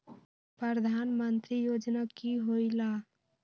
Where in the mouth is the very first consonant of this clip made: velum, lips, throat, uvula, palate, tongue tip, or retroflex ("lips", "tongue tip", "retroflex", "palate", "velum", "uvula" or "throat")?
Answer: lips